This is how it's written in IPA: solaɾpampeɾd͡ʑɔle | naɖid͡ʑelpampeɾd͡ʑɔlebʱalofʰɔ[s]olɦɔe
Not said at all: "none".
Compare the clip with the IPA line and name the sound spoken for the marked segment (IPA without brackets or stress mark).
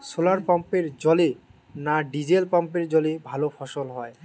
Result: ʃ